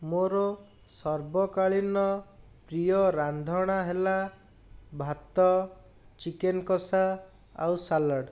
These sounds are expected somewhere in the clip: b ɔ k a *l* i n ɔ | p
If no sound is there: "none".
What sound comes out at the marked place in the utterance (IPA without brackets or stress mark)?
ɭ